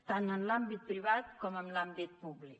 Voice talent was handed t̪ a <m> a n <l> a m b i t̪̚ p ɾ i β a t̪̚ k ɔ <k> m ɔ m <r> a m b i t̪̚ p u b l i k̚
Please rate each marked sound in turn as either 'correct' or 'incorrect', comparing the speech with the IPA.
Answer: incorrect, correct, incorrect, incorrect

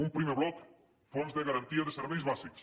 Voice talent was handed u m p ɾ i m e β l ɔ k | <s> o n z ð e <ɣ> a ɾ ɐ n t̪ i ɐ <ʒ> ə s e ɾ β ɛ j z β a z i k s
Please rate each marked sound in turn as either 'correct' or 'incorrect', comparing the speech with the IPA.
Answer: incorrect, correct, incorrect

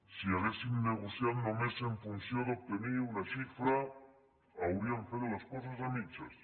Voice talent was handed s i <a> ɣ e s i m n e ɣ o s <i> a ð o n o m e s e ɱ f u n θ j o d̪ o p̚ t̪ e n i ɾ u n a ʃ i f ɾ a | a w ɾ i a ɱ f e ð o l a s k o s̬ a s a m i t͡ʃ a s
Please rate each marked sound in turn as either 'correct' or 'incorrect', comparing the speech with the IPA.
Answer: correct, incorrect

